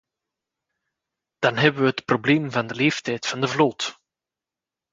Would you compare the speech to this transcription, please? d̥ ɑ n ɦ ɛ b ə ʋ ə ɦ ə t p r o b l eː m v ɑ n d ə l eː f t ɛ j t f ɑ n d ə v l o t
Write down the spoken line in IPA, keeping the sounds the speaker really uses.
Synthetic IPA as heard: d̥ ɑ n ɦ ɛ b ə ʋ ə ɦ ə t p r o b l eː m v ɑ n d ə l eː f t ɛ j t f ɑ n d ə v l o t